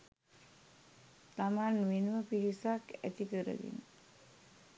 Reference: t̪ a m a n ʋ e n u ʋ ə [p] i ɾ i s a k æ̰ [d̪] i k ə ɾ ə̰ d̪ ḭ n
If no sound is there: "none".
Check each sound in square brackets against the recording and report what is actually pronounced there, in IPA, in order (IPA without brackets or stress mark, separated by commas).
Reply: p, t̪